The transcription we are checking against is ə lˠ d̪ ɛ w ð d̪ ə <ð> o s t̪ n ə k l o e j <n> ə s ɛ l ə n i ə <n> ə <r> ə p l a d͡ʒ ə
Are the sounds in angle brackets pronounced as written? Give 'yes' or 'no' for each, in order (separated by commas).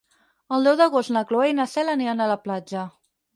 no, yes, yes, no